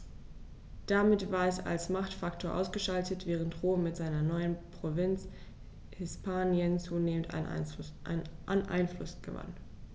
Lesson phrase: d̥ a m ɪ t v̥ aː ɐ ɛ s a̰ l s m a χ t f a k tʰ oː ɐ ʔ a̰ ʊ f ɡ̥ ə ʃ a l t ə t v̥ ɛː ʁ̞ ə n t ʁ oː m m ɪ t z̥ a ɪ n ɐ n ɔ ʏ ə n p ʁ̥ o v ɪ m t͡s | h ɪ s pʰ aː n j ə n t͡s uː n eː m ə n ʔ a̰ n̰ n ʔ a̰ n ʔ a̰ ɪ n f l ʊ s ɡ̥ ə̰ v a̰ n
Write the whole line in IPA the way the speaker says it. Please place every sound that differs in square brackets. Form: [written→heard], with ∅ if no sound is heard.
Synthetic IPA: d̥ a m ɪ t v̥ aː ɐ ɛ s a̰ l s m a χ t f a k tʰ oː ɐ ʔ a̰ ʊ [f→s] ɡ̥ ə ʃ a l t ə t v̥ ɛː ʁ̞ ə n t ʁ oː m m ɪ t z̥ a ɪ n ɐ n ɔ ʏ ə n p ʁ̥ o v ɪ [m→n] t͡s | h ɪ s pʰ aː n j ə n t͡s uː n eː m ə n [ʔ→t] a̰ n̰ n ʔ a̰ n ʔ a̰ ɪ n f l ʊ s ɡ̥ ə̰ v a̰ n